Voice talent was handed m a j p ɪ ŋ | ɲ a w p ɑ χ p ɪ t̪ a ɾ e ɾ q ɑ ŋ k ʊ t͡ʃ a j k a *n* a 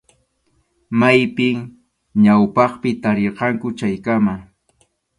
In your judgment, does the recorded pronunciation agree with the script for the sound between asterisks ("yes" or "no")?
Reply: no